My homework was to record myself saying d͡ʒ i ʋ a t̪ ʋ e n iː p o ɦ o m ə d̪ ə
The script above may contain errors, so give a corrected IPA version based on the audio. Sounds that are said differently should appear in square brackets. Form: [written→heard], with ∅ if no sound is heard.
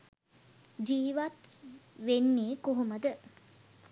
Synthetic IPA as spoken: d͡ʒ [i→iː] ʋ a t̪ ʋ e [n→nː] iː [p→k] o ɦ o m ə d̪ ə